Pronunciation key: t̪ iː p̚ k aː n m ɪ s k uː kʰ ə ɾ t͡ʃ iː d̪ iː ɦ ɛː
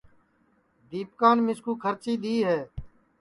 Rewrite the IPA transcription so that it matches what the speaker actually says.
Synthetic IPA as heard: d̪ iː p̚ k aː n m ɪ s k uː kʰ ə ɾ t͡ʃ iː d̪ iː ɦ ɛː